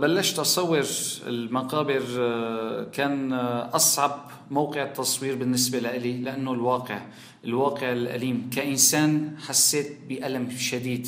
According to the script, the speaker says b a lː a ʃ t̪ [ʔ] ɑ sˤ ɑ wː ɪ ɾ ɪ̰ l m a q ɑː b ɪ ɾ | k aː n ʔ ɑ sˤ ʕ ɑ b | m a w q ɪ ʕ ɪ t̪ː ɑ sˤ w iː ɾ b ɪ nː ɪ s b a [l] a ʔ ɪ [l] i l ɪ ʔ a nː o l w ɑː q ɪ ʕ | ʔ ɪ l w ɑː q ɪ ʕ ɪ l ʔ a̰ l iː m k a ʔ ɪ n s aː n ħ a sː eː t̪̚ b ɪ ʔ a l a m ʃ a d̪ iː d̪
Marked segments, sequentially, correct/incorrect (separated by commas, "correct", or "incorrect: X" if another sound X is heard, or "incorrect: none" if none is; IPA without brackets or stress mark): correct, correct, correct